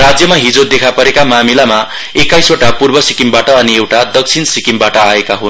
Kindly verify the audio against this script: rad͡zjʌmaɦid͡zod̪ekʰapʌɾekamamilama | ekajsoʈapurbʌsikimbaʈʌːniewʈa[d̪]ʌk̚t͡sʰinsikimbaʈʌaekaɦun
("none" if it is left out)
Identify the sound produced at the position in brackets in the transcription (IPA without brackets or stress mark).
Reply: d̪